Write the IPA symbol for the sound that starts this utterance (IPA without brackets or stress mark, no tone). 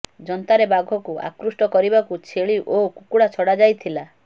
d͡ʒ